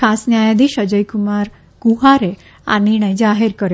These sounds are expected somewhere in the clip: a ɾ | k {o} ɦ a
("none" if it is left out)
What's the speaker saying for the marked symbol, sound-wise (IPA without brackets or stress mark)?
u